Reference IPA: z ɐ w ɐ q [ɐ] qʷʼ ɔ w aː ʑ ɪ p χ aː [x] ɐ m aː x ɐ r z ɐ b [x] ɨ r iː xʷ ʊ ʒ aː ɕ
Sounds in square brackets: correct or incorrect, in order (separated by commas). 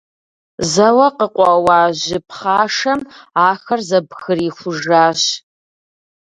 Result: incorrect, incorrect, correct